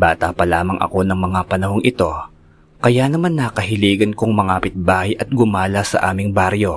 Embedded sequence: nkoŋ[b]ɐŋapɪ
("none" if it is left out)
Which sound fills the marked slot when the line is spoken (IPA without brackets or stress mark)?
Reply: m